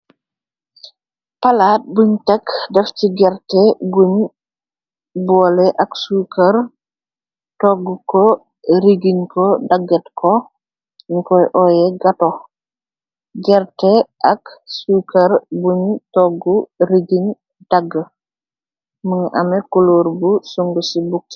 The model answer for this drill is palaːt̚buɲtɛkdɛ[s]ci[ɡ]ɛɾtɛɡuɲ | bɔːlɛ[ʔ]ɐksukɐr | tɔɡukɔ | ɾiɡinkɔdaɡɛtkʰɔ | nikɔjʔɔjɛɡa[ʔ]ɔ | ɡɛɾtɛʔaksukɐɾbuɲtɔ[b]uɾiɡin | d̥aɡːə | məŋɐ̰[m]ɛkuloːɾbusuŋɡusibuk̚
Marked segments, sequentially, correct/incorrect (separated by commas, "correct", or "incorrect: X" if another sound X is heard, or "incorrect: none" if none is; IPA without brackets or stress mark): incorrect: f, correct, correct, incorrect: t, incorrect: ɡ, correct